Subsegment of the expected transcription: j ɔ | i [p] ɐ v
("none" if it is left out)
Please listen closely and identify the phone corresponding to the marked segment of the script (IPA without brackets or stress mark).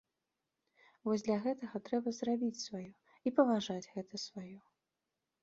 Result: p